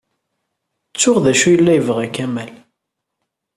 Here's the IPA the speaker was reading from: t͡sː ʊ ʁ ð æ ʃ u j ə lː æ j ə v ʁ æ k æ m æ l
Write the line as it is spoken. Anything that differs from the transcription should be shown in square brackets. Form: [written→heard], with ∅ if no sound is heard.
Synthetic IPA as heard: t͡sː ʊ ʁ ð æ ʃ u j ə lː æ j ə v ʁ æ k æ m æ l